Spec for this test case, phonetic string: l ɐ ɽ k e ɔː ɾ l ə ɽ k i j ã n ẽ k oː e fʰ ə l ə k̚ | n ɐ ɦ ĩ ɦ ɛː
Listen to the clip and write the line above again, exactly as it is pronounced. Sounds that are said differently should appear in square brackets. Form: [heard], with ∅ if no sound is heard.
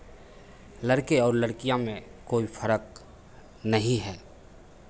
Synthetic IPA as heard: l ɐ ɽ k e ɔː ɾ l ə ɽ k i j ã [m] ẽ k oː [i] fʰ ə [ɾ] ə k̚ | n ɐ ɦ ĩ ɦ ɛː